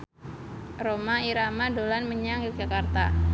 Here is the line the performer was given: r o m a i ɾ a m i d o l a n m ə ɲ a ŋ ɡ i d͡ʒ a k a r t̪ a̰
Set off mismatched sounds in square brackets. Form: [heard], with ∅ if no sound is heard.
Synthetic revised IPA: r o m a i ɾ a m [a] d o l a n m ə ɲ a ŋ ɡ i d͡ʒ a k a r t̪ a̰

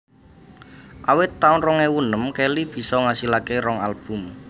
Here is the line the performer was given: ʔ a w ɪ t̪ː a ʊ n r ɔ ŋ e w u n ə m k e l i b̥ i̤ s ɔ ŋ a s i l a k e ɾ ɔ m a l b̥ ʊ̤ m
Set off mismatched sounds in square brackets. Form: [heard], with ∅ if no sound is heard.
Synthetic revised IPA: ʔ a w ɪ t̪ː a ʊ n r ɔ ŋ e w u n ə m k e l i b̥ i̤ s ɔ ŋ a s i l a k e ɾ ɔ [ŋ] a l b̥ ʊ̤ m

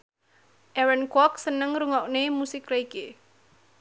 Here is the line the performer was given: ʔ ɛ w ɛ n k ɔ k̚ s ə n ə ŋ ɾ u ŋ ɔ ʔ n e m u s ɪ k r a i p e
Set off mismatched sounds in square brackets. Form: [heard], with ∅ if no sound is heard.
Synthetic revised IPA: ʔ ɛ w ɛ n k ɔ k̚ s ə n ə ŋ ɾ u ŋ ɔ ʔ n e m u s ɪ k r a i [k] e

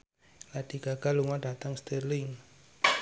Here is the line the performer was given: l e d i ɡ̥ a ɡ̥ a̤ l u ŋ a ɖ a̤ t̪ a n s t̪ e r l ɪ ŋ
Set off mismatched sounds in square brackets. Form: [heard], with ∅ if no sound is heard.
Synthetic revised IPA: l [a] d i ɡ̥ a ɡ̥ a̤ l u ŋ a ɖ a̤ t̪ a [ŋ] s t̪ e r l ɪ ŋ

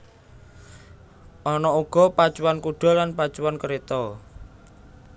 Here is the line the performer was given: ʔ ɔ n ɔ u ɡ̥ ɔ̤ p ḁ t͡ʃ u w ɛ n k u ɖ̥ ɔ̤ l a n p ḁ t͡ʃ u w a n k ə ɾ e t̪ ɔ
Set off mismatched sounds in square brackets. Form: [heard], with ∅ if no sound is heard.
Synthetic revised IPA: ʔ ɔ n ɔ u ɡ̥ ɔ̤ p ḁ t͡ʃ u w [a] n k u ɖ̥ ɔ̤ l a n p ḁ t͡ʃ u w a n k ə ɾ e t̪ ɔ

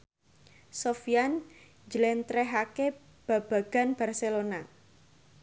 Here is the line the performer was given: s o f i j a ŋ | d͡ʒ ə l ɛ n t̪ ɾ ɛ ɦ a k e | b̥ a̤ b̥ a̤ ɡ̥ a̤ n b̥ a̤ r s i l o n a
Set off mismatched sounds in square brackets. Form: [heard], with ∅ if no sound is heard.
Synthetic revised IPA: s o f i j a [n] | d͡ʒ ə l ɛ n t̪ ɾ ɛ ɦ a k e | b̥ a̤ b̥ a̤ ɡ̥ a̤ n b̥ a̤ r s [e] l o n a

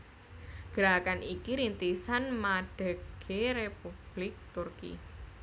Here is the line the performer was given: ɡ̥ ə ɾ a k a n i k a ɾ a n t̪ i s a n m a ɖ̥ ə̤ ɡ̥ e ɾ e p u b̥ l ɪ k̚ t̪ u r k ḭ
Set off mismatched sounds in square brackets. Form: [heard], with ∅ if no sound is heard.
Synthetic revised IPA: ɡ̥ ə ɾ a k a n i k [i] ɾ [i] n t̪ i s a n m a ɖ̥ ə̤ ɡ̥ e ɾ e p u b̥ l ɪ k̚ t̪ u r k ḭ

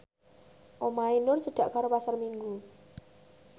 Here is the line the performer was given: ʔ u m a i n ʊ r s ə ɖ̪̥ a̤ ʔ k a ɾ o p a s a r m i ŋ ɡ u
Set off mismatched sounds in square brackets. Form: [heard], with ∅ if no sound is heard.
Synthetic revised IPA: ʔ [o] m a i n ʊ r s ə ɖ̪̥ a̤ ʔ k a ɾ o p a s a r m i ŋ ɡ u

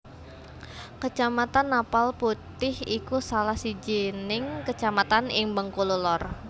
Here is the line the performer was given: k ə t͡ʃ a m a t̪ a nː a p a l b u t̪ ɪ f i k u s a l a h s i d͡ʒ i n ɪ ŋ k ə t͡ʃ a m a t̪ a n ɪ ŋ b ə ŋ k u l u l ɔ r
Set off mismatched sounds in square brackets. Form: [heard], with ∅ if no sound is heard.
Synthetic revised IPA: k ə t͡ʃ a m a t̪ a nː a p a l [p] u t̪ ɪ [h] i k u s a l a h s i d͡ʒ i n ɪ ŋ k ə t͡ʃ a m a t̪ a n ɪ ŋ b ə ŋ k u l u l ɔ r

